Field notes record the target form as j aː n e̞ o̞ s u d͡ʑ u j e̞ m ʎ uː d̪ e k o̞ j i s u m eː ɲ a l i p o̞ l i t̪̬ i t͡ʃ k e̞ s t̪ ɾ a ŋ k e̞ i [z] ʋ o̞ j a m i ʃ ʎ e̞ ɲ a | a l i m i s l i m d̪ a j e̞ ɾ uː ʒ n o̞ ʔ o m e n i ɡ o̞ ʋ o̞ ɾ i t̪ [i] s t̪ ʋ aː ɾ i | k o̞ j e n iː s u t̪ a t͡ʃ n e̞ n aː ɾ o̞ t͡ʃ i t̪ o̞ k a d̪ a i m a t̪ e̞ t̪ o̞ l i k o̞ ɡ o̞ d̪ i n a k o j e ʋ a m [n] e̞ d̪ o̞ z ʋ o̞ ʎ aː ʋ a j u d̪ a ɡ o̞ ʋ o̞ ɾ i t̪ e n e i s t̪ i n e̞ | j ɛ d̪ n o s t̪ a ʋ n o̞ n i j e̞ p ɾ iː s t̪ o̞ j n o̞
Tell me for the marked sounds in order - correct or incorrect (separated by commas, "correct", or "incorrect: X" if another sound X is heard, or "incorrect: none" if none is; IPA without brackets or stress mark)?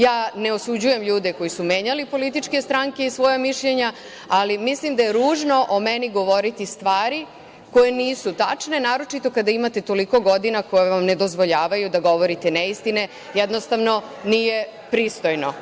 incorrect: s, correct, correct